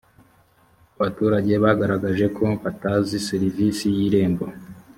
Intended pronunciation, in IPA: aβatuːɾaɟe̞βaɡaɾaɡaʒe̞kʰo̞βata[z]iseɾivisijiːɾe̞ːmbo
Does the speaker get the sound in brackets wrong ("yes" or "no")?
no